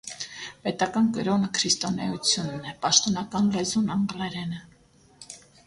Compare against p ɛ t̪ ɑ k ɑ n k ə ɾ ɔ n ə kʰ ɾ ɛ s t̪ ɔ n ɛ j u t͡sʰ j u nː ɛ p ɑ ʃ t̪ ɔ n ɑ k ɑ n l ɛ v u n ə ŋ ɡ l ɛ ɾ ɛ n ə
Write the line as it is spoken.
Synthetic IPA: p ɛ t̪ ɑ k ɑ n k ə ɾ ɔ n ə kʰ ɾ i s t̪ ɔ n ɛ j u t͡sʰ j u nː ɛ p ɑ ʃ t̪ ɔ n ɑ k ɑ n l ɛ z u n ɑ ŋ ɡ l ɛ ɾ ɛ n ə